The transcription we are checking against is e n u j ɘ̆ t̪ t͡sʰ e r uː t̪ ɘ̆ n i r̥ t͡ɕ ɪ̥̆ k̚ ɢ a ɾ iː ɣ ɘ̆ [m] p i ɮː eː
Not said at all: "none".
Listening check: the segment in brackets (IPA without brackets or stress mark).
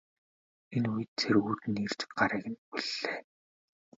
n